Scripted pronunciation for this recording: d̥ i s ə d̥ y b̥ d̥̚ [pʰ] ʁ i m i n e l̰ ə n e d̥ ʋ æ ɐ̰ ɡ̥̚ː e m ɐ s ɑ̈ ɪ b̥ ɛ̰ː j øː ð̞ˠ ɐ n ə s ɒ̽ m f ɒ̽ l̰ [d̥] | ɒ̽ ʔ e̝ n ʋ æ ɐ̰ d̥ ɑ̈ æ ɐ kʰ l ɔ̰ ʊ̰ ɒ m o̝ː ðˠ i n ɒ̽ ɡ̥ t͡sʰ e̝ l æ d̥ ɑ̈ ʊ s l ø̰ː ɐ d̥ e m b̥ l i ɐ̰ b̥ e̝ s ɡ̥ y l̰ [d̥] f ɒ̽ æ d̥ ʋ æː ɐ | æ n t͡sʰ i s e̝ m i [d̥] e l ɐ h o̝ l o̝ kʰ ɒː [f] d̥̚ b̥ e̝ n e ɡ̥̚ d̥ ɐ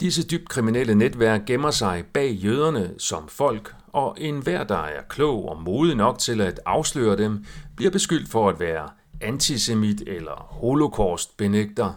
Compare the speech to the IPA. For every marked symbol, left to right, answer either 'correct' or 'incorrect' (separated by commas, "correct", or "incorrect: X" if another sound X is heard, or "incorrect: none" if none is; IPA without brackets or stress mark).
incorrect: kʰ, incorrect: ɡ̥, correct, correct, incorrect: s